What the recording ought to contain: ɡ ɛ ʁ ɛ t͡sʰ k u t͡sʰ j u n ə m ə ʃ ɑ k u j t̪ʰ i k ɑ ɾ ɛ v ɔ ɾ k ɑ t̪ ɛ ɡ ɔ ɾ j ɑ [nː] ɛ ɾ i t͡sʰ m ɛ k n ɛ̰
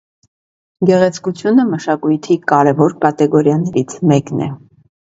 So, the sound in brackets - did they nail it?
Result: no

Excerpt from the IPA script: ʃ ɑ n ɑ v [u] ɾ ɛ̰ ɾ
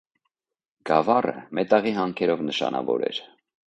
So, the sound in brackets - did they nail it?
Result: no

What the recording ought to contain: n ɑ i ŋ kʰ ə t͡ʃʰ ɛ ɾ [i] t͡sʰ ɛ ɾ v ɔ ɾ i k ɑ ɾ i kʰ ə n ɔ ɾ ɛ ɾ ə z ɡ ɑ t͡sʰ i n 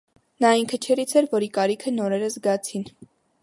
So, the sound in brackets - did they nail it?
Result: yes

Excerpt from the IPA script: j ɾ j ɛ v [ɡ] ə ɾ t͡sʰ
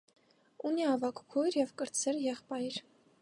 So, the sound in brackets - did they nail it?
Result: no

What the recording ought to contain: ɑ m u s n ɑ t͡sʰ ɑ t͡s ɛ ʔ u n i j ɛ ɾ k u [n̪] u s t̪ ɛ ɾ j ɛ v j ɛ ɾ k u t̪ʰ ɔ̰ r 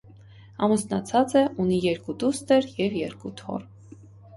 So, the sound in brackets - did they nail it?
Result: no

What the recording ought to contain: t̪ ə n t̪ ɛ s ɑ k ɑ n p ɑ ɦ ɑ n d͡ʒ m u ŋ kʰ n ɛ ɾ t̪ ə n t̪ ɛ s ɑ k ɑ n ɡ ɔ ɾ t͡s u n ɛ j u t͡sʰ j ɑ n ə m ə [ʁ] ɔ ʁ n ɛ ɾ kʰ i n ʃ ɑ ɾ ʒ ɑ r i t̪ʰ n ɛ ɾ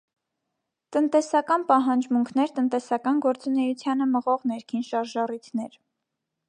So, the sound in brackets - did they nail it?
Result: yes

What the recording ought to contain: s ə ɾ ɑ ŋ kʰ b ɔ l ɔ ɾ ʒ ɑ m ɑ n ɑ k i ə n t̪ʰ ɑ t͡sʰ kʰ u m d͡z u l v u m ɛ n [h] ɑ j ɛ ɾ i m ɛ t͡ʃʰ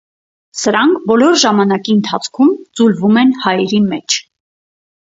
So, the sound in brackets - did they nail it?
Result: yes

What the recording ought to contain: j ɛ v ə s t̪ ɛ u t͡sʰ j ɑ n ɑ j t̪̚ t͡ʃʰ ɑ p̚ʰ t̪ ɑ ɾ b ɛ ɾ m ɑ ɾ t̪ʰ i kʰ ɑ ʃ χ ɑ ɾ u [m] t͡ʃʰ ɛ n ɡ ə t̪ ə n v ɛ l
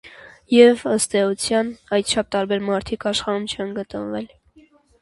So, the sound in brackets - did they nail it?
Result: yes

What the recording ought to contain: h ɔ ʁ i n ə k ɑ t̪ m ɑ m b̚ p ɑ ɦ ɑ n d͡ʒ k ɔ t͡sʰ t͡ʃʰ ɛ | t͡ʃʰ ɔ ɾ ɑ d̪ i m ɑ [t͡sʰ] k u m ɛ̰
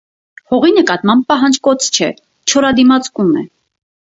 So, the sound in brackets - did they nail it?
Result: no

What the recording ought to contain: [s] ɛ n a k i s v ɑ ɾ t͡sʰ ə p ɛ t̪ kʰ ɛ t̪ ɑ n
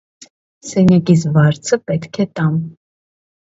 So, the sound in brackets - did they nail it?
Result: yes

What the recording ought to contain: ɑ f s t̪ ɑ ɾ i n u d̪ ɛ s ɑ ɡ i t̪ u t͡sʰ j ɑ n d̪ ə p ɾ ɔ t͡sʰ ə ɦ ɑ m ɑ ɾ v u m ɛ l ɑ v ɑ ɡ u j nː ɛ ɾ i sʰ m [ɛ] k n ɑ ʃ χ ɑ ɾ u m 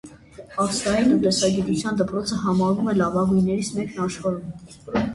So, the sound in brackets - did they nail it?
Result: yes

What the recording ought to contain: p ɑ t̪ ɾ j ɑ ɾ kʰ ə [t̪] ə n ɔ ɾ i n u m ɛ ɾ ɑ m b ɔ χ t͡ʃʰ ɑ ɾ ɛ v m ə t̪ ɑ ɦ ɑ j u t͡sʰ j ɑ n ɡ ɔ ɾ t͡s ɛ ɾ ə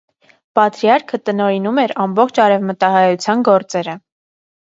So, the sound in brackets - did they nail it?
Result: yes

